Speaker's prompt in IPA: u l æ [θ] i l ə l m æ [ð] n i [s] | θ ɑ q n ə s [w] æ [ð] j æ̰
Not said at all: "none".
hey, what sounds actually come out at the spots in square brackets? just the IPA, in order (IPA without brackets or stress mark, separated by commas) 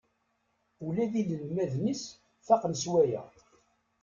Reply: ð, ð, s, w, none